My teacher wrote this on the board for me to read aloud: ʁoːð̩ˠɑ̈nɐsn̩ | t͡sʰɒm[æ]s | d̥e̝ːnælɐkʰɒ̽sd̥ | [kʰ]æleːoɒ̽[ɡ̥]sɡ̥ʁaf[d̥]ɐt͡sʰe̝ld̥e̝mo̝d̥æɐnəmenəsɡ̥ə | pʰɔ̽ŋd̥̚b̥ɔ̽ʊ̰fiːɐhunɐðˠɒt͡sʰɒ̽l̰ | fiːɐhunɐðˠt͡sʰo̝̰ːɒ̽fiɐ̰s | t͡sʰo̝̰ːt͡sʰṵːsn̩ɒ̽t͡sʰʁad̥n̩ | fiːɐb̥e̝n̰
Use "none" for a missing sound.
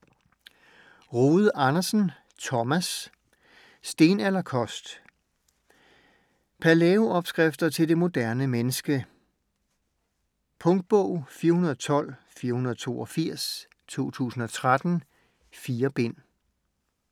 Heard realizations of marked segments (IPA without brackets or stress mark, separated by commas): æ, pʰ, b̥, d̥